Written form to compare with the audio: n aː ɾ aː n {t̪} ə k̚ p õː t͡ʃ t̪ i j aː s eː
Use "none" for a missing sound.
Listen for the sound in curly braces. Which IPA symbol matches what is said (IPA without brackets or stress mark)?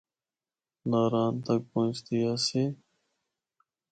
t̪